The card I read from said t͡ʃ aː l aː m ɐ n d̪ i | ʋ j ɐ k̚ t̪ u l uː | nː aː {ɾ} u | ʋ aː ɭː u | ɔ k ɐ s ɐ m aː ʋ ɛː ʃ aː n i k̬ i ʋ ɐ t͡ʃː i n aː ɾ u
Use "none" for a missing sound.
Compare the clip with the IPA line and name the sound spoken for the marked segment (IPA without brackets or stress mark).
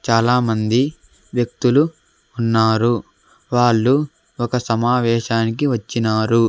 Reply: ɾ